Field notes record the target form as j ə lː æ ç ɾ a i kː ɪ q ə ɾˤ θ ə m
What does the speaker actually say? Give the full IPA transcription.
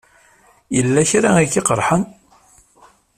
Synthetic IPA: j ə lː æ ç ɾ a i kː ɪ q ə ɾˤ ħ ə n